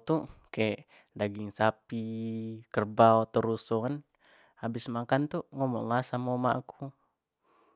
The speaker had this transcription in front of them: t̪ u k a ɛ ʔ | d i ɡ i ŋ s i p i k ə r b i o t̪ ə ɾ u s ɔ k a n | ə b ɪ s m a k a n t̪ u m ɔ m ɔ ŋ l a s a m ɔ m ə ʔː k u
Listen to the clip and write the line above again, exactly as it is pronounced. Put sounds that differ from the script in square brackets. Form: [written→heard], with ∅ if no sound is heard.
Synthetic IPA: t̪ u k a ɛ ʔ | d [i→a] ɡ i ŋ s [i→a] p i k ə r b [i→a] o t̪ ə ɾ u s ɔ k a n | [ə→a] b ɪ s m a k a n t̪ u [m→ŋ] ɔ m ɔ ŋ l a s a m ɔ m [ə→a] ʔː k u